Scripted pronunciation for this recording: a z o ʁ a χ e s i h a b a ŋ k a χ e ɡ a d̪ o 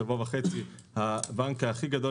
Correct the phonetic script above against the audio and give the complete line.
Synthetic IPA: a v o v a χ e t͡s i h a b a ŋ k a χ i ɡ a d̪ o

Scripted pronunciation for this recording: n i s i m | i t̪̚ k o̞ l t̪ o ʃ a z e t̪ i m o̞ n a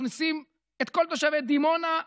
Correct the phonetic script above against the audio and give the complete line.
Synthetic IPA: n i s i m | e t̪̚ k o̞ l t̪ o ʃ a v e d̪ i m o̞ n a

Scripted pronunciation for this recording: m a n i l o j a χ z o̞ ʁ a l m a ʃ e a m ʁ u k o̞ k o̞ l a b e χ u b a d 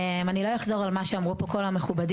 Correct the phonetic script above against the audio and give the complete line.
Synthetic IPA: m a n i l o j a χ z o̞ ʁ a l m a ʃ e a m ʁ u p o̞ k o̞ l a m e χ u b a d

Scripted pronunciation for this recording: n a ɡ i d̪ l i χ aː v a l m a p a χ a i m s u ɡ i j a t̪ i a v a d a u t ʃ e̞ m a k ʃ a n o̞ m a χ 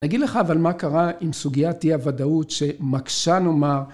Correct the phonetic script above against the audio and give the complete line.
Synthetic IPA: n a ɡ i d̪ l e χ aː v a l m a k a ʁ a i m s u ɡ i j a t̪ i a v a d a u t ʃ e̞ m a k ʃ a n o̞ m a ʁ

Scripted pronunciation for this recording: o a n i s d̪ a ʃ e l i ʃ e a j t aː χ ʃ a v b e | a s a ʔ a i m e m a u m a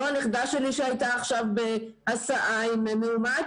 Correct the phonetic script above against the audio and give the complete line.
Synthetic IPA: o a n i χ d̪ a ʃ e l i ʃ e a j t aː χ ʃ a v b e | a s a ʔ a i m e m e u m a

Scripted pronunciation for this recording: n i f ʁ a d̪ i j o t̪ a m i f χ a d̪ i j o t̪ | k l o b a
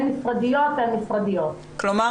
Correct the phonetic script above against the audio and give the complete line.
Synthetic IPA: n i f ʁ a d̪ i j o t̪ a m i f ʁ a d̪ i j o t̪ | k l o m a

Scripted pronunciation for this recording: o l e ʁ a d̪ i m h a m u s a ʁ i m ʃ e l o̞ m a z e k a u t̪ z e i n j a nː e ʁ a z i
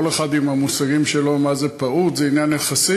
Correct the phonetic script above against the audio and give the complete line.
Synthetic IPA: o l e χ a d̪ i m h a m u s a ʁ i m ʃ e l o̞ m a z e p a u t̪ z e i n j a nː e χ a s i

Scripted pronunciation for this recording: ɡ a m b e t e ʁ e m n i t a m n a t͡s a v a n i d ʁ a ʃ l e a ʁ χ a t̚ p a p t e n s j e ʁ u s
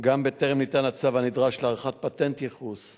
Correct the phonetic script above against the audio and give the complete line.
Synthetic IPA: ɡ a m b e t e ʁ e m n i t a n a t͡s a v a n i d ʁ a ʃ l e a ʁ χ a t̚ p a t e n t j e χ u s

